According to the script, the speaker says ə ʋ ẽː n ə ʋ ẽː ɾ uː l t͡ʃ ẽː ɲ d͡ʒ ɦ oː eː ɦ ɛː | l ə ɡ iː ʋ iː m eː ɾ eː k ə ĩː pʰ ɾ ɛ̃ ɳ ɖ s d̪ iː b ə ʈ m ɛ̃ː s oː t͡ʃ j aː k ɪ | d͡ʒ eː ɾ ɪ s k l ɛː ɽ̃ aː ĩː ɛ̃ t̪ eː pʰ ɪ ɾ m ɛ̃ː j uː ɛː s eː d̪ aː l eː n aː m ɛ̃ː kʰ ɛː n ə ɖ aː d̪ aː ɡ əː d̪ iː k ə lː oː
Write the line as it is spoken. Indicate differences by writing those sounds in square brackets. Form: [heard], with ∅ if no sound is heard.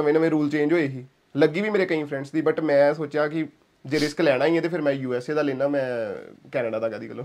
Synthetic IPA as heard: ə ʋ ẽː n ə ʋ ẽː ɾ uː l t͡ʃ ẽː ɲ d͡ʒ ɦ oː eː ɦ [iː] | l ə ɡ iː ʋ iː m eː ɾ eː k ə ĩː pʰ ɾ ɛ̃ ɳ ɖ s d̪ iː b ə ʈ m ɛ̃ː s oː t͡ʃ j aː k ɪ | d͡ʒ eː ɾ ɪ s k l ɛː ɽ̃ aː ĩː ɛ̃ t̪ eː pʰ ɪ ɾ m ɛ̃ː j uː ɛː s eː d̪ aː l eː n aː m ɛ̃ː [k] ɛː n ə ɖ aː d̪ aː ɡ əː d̪ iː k ə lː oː